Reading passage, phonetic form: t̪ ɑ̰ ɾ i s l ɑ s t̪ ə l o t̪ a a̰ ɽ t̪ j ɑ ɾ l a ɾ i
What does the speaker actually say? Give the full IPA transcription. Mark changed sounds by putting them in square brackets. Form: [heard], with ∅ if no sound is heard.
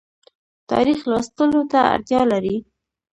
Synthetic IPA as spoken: t̪ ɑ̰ ɾ i [x] l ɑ s t̪ ə l o t̪ a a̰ [ɾ] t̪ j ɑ [∅] l a ɾ i